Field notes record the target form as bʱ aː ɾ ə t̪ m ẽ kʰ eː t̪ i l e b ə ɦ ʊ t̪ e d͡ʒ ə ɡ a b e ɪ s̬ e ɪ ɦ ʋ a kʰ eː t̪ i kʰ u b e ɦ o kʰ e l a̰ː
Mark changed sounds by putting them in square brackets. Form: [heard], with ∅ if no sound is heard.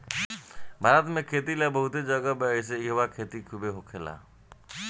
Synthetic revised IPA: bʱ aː ɾ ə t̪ m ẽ kʰ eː t̪ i l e b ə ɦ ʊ t̪ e d͡ʒ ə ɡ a b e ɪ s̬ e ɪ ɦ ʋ a kʰ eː t̪ i kʰ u b e ɦ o kʰ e l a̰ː